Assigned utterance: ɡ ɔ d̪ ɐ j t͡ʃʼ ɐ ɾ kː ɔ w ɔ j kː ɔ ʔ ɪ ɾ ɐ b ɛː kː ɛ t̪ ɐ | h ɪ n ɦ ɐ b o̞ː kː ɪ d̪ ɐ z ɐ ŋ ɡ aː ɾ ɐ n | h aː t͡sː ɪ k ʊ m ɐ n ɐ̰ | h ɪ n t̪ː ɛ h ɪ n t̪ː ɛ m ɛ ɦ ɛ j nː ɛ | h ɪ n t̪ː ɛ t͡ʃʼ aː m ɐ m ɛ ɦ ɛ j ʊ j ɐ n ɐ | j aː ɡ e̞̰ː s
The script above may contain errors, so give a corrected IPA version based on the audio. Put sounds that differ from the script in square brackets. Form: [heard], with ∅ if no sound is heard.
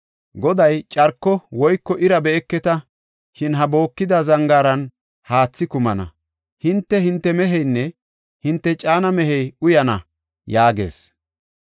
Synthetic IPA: ɡ ɔ d̪ ɐ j t͡ʃʼ ɐ ɾ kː ɔ w ɔ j kː ɔ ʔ ɪ ɾ ɐ b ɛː kː ɛ t̪ ɐ | [ʃ] ɪ n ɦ ɐ b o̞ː kː ɪ d̪ ɐ z ɐ ŋ ɡ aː ɾ ɐ n | h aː t͡sː ɪ k ʊ m ɐ n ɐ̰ | h ɪ n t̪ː ɛ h ɪ n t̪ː ɛ m ɛ ɦ ɛ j nː ɛ | h ɪ n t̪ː ɛ t͡ʃʼ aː [n] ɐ m ɛ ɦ ɛ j ʊ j ɐ n ɐ | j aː ɡ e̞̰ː s